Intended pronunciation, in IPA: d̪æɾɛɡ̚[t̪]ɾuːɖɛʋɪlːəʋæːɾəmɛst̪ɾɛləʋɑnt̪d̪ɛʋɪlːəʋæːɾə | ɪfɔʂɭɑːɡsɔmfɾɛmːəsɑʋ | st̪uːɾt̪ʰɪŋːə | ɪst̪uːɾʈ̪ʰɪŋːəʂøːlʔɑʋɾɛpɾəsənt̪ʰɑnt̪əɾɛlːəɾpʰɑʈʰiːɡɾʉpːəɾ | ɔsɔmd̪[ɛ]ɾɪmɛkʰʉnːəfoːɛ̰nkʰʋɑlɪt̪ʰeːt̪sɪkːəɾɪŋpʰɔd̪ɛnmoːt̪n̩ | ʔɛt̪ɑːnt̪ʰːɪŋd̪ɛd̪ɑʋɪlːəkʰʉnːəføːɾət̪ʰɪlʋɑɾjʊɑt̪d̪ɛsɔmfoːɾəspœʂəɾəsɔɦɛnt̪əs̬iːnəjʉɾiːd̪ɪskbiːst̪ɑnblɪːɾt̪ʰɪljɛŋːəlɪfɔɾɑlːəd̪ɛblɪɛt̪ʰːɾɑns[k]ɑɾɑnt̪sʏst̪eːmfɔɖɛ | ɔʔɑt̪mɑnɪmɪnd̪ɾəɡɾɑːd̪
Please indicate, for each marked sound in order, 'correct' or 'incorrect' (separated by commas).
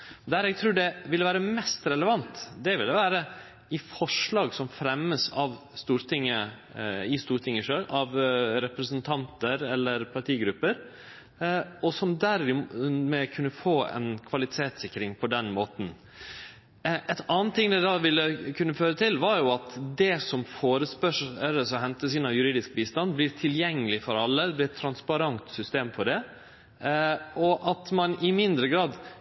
incorrect, incorrect, incorrect